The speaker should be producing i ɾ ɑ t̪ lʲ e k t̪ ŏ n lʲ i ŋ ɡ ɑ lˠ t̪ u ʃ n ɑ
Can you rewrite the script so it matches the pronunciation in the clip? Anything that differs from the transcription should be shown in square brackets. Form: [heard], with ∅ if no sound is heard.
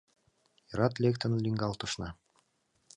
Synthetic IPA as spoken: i ɾ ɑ t̪ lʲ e k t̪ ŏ n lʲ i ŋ ɡ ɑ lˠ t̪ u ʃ n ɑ

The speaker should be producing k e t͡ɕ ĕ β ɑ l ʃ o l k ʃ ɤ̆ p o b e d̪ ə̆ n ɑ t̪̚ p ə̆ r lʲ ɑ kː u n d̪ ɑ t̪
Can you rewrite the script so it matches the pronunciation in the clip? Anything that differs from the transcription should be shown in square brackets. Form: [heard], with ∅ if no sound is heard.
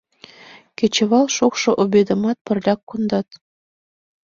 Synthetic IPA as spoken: k e t͡ɕ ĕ β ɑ l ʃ o [∅] k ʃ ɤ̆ [ʔ] o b e d̪ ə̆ [m] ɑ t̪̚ p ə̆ r lʲ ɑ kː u n d̪ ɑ t̪

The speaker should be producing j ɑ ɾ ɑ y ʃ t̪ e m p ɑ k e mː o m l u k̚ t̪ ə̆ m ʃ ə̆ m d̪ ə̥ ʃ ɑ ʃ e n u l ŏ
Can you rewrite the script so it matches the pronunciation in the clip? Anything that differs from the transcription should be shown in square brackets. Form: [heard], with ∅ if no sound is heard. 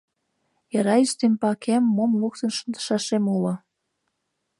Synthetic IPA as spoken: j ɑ ɾ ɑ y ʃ t̪ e m p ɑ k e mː o m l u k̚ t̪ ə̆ [n] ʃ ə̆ [n] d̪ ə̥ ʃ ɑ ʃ e [m] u l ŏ

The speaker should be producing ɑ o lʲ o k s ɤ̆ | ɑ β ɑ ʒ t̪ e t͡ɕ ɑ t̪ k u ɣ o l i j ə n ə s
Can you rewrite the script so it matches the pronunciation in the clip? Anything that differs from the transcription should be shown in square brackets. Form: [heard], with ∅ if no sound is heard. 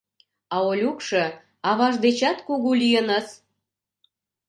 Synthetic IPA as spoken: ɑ o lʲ [u] k [ʃ] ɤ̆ | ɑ β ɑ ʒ [d̪] e t͡ɕ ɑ t̪ k u ɣ [u] l i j ə n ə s

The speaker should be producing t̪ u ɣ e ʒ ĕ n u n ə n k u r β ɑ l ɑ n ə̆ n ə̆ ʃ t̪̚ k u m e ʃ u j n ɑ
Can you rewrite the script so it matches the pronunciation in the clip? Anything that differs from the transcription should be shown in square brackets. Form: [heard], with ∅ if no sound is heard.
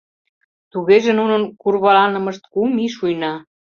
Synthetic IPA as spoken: t̪ u ɣ e ʒ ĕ n u n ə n k u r β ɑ l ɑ n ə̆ [m] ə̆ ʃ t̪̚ k u m [i] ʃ u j n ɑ

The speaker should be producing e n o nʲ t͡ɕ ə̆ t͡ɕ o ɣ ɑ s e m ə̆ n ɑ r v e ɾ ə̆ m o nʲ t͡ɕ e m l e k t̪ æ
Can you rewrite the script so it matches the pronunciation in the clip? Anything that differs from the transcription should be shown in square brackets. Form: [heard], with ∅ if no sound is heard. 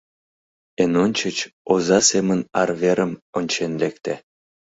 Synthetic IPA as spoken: e n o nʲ t͡ɕ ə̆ t͡ɕ o [z] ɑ s e m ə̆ n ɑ r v e ɾ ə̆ m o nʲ t͡ɕ e [n] l e k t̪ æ

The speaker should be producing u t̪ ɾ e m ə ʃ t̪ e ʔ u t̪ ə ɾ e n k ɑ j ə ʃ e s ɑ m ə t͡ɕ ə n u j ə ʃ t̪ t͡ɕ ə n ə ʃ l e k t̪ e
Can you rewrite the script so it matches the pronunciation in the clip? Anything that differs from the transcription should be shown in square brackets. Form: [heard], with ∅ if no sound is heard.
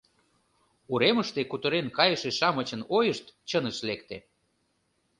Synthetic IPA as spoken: u [∅] ɾ e m ə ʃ t̪ e [k] u t̪ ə ɾ e n k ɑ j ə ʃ e [ʃ] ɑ m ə t͡ɕ ə n [o] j ə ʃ t̪ t͡ɕ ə n ə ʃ l e k t̪ e

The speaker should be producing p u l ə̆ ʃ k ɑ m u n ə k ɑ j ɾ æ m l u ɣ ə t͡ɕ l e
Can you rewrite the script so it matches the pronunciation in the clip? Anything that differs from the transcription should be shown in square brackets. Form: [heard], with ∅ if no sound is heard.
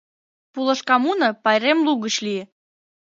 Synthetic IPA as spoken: p u l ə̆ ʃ k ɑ m u n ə [p] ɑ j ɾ [e] m l u ɣ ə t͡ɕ l [i]

